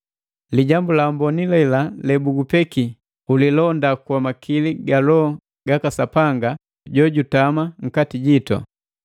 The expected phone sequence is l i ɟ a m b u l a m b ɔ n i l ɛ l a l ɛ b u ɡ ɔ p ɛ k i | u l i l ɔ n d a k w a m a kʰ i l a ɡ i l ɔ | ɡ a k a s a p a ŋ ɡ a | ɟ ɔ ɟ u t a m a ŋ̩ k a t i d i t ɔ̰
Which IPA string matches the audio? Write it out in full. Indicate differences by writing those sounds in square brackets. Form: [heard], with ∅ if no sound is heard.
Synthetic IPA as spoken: l i ɟ a m b u l a m b ɔ n i l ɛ l a l ɛ b u ɡ [u] p ɛ k i | u l i l ɔ n d a k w a m a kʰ i l [i] ɡ [a] l ɔ | ɡ a k a s a p a ŋ ɡ a | ɟ ɔ ɟ u t a m a ŋ̩ k a t i [ɟ] i t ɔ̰